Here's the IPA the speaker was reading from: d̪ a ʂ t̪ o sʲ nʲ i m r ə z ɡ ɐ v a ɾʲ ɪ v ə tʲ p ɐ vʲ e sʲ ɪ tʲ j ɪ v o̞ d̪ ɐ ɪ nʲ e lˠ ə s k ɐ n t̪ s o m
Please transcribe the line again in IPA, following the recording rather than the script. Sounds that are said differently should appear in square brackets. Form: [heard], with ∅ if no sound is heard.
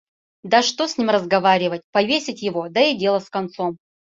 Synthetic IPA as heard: d̪ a ʂ t̪ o sʲ nʲ i m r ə z ɡ ɐ v a ɾʲ ɪ v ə tʲ p ɐ vʲ e sʲ ɪ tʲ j ɪ v o̞ d̪ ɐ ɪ [dʲ] e lˠ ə s k ɐ n t̪ s o m